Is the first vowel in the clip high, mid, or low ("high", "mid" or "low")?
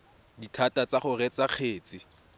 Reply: high